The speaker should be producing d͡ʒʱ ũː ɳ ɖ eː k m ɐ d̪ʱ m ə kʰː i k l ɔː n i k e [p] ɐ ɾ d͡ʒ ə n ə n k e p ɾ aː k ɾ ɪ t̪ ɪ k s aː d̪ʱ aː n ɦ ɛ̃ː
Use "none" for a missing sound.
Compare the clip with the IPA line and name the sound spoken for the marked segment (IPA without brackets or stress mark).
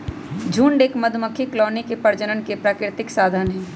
p